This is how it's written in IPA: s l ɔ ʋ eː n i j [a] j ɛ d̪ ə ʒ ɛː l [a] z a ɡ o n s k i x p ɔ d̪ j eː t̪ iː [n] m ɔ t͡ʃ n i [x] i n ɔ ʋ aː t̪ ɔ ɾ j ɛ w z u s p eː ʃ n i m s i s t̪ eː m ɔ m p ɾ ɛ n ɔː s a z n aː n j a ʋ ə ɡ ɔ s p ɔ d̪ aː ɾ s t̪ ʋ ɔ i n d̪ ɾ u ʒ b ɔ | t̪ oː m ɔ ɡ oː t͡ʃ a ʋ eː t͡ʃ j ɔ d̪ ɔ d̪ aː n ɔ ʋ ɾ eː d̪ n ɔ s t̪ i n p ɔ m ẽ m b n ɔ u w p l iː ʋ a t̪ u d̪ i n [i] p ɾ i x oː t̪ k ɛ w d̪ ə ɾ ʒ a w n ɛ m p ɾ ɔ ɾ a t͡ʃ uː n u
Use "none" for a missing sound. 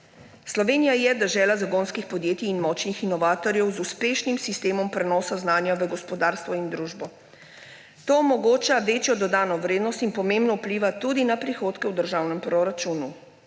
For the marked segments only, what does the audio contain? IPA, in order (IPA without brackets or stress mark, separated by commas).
a, a, n, x, a